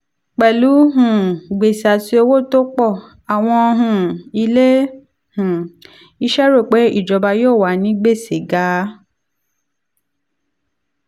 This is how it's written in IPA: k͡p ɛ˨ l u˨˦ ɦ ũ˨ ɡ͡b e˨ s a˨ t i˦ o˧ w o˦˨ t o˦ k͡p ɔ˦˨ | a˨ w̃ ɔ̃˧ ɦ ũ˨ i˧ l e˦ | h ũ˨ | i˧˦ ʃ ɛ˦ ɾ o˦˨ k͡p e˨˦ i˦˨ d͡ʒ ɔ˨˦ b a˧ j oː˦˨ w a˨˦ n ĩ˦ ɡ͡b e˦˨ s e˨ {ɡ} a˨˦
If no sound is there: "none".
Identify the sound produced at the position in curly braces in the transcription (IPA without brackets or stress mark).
ɡ